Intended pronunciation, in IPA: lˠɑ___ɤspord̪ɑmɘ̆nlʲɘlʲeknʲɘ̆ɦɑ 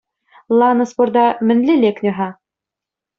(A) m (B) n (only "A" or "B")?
B